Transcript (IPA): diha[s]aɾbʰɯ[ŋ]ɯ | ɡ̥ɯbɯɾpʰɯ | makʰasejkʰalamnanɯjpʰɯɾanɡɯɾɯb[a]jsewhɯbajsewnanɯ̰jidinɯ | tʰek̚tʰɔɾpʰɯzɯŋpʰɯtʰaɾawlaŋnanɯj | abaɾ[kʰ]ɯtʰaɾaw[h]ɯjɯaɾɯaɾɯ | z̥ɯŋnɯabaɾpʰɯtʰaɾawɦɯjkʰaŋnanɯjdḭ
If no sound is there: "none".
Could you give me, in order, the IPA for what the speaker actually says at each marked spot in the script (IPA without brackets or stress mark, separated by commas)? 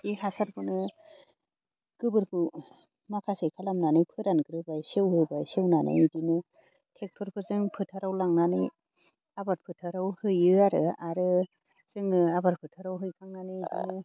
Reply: s, n, a, pʰ, h